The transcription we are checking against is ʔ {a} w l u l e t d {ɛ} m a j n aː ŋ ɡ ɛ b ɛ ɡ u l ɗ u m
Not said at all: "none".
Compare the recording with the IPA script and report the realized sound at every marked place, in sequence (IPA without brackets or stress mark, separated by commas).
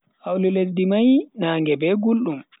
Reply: a, i